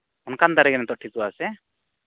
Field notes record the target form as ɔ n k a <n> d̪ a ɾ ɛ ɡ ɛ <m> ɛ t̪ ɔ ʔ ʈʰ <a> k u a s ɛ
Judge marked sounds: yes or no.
yes, no, no

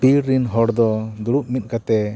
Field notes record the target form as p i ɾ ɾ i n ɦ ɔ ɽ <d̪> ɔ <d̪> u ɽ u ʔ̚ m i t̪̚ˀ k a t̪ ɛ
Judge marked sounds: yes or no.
yes, yes

